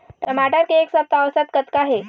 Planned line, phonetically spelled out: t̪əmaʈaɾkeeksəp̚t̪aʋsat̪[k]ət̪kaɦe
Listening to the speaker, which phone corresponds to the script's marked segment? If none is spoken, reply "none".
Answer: k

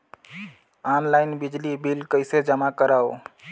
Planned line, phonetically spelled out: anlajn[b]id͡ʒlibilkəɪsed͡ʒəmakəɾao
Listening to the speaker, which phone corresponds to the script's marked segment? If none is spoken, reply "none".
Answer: b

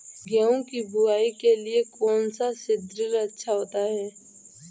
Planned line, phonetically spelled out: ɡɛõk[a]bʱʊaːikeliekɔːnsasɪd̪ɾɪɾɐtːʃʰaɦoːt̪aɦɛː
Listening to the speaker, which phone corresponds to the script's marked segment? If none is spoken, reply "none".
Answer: i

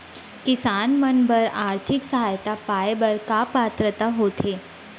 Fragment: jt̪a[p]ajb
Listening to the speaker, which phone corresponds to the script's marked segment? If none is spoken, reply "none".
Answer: p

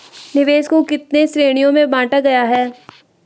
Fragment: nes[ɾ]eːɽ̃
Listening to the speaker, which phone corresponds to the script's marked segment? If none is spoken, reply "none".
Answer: ɾ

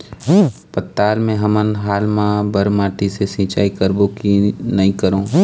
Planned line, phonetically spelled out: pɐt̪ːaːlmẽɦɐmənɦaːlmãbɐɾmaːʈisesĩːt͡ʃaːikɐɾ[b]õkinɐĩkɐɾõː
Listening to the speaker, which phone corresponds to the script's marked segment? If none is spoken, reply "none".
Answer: b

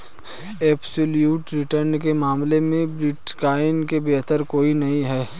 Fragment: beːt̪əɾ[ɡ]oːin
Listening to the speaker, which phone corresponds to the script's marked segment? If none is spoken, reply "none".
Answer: k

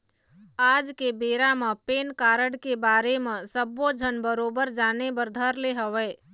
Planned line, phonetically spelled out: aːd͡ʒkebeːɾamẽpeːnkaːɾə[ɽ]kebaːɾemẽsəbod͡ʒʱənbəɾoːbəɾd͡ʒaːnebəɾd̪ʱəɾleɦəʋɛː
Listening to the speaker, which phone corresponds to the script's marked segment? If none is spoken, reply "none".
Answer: ɽ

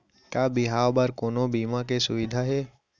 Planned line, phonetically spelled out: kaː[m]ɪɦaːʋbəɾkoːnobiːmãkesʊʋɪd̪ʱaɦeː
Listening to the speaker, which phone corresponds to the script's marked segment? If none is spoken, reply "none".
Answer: b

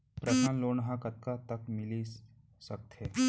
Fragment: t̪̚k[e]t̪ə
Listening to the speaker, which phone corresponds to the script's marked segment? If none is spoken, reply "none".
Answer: a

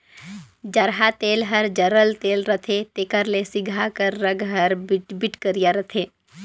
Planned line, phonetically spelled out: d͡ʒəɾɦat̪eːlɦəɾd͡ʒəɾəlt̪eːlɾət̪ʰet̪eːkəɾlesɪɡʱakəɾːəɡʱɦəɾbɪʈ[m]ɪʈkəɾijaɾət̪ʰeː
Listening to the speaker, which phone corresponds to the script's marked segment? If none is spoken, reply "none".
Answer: b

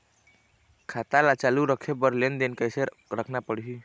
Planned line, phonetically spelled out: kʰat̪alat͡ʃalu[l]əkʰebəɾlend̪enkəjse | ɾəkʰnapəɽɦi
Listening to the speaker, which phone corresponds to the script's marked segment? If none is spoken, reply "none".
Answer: ɾ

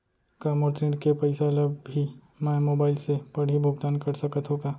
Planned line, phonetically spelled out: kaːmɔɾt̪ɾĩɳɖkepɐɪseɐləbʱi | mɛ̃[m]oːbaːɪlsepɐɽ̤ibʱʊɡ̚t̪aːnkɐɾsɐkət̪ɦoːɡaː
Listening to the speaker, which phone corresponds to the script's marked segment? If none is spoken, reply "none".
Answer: m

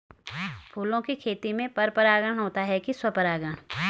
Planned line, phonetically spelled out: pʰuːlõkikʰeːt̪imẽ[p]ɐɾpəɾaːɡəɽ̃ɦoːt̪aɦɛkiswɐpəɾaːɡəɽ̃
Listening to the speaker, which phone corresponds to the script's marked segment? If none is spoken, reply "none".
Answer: p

